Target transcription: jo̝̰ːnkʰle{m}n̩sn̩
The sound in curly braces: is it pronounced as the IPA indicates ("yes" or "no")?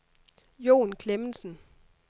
yes